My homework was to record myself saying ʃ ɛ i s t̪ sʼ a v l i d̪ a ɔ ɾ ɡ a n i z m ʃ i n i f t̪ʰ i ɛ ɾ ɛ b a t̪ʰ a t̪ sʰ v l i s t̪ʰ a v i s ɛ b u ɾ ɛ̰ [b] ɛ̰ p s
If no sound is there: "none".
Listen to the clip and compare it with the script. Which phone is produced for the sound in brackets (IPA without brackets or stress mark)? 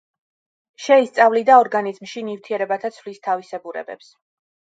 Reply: b